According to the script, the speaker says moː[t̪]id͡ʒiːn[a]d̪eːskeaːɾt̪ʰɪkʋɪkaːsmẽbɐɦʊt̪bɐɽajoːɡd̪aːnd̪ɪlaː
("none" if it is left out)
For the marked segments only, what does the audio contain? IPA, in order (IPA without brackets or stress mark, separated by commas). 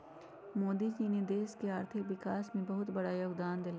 d̪, e